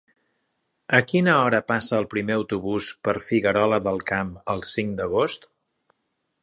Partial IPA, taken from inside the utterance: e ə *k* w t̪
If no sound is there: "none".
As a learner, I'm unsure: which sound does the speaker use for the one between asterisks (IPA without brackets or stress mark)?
none